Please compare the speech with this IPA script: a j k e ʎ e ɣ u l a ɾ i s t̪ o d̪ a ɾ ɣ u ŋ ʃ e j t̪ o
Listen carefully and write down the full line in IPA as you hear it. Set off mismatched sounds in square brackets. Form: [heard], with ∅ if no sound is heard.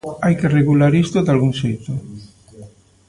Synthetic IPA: a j k e [r] e ɣ u l a ɾ i s t̪ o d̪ a [l] ɣ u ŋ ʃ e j t̪ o